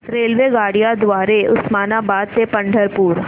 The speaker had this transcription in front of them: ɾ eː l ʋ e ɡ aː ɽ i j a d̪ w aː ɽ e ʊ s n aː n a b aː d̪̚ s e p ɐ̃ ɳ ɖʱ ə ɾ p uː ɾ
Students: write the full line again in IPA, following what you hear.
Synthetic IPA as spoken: ɾ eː l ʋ e ɡ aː ɽ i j a d̪ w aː ɾ e ʊ s m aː n a b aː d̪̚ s e p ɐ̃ ɳ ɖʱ ə ɾ p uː ɾ